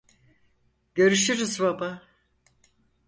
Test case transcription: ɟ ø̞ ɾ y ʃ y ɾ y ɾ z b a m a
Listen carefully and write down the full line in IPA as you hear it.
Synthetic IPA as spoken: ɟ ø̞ ɾ y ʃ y ɾ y z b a b a